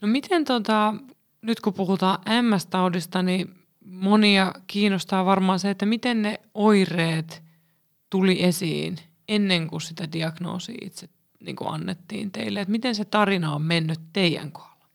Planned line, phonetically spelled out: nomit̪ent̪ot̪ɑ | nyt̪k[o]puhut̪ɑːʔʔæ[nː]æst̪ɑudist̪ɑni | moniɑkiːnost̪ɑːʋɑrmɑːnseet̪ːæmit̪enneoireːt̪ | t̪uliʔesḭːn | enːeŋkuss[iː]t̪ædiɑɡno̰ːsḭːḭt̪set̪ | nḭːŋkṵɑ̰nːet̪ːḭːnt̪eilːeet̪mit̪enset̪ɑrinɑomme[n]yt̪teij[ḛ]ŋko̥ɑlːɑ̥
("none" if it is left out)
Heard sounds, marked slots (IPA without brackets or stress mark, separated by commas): u, mː, i, nː, æ̰